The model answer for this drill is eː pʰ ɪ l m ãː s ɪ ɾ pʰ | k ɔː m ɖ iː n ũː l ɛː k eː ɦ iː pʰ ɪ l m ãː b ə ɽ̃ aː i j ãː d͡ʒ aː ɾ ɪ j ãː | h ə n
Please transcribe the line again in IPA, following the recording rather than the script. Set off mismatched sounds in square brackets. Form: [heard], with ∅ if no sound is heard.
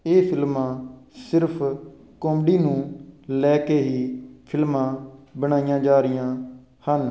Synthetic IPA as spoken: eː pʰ ɪ l m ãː s ɪ ɾ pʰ | k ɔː m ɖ iː n ũː l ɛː k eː ɦ iː pʰ ɪ l m ãː b ə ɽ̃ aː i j ãː d͡ʒ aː ɾ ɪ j ãː | h ə n